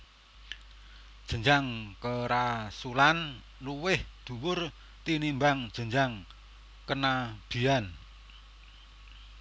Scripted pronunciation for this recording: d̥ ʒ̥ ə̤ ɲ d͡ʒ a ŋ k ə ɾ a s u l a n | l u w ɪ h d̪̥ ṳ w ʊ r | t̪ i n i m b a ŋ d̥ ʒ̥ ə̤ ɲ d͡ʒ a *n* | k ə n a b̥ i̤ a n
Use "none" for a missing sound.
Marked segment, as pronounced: ŋ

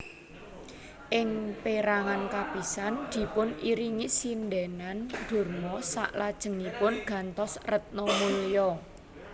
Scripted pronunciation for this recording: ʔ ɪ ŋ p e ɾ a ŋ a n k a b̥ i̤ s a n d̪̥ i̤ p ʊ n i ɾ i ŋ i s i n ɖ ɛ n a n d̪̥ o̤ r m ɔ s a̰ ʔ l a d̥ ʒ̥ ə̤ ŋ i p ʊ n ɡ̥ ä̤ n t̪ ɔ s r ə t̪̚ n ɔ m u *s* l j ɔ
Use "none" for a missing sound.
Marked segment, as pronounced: none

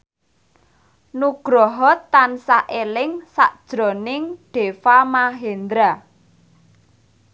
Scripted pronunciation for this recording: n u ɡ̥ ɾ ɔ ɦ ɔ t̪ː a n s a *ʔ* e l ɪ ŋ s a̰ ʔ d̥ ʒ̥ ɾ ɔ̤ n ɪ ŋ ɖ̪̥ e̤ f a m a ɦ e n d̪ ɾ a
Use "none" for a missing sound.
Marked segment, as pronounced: ʔ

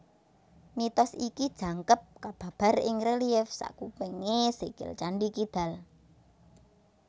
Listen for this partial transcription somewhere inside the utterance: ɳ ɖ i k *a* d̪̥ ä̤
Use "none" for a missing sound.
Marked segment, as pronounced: i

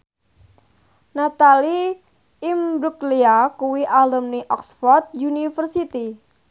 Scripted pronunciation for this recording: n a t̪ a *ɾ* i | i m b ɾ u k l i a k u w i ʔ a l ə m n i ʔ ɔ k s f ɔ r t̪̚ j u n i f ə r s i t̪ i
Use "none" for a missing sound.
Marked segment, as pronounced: l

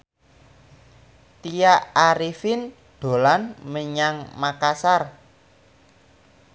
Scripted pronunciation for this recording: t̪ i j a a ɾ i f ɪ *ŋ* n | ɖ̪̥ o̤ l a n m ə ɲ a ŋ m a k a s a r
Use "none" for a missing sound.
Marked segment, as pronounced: none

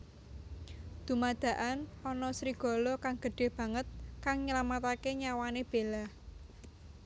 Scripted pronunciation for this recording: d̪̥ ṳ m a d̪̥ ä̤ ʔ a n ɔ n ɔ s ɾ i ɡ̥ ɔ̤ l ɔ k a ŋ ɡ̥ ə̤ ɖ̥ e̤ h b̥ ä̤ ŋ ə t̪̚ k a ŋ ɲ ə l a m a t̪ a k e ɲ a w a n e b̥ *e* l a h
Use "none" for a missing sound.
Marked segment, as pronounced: e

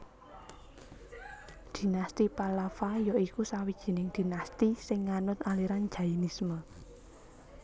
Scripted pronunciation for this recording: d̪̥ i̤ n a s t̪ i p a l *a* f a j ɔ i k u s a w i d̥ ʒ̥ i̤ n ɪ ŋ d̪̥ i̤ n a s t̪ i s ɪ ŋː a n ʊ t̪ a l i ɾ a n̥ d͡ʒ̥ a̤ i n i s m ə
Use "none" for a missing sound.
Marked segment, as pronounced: a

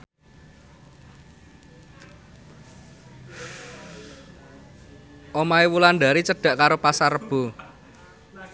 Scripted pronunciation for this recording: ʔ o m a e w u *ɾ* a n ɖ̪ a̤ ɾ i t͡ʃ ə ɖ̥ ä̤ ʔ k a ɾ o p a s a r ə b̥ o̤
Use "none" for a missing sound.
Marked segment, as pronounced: l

